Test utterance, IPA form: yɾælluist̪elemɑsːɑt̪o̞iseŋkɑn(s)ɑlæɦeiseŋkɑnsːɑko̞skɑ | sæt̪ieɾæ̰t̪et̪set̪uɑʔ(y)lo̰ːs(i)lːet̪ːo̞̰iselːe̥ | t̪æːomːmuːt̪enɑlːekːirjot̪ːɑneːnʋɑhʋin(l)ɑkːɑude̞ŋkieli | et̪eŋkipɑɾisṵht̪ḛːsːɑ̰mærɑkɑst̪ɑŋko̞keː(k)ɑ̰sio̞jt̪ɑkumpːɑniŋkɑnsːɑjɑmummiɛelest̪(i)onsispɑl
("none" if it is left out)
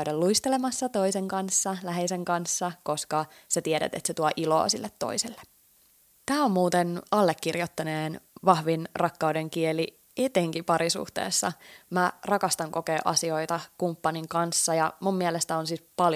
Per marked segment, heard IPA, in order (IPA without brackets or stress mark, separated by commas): sː, i, i, r, ʔ, æ